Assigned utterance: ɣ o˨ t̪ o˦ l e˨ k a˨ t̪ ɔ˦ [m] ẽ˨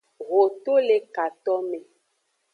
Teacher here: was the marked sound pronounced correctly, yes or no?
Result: yes